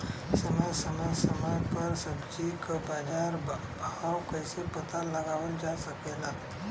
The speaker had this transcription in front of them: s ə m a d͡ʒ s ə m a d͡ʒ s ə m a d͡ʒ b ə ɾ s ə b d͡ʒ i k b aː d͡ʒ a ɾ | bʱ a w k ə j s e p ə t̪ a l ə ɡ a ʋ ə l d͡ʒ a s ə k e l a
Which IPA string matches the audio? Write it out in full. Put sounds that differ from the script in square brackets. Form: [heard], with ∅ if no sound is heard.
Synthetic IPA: s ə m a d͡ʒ s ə m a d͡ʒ s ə m a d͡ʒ [p] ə ɾ s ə b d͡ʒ i k b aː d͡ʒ a ɾ | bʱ a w k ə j s e p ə t̪ a l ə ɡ a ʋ ə l d͡ʒ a s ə k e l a